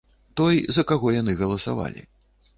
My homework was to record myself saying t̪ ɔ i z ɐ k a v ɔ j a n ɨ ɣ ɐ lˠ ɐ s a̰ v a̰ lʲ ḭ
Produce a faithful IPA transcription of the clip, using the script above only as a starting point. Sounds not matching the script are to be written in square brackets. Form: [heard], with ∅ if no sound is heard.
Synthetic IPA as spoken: t̪ ɔ [j] z ɐ k a [ɣ] ɔ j a n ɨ ɣ ɐ lˠ ɐ s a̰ v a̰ lʲ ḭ